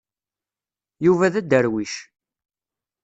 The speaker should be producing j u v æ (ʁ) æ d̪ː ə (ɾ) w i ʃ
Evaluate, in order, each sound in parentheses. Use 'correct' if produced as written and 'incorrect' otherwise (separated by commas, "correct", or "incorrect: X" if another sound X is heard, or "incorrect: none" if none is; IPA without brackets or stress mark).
incorrect: ð, correct